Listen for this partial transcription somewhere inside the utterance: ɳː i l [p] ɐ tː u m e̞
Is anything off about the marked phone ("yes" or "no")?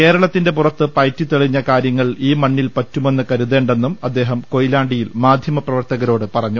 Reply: no